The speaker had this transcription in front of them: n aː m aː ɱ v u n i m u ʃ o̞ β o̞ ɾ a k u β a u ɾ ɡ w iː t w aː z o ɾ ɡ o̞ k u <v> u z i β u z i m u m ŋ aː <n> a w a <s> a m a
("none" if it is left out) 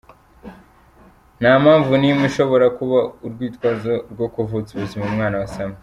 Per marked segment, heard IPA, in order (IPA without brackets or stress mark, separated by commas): v, n, s